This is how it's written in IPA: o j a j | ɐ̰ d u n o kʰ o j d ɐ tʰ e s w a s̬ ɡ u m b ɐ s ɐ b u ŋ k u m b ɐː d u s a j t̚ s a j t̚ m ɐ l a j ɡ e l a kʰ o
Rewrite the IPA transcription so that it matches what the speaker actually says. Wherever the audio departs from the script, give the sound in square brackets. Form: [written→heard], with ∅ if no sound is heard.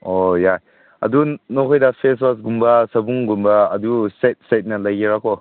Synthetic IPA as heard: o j a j | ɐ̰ d u n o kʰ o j d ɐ [tʰ→pʰ] e s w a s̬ ɡ u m b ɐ s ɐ b u ŋ [k→ɡ] u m b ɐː d u s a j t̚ s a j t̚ [m→n] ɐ l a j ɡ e [l→ɾ] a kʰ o